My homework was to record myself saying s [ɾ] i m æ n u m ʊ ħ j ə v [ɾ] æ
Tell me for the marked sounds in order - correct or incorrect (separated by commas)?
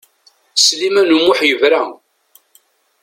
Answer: incorrect, correct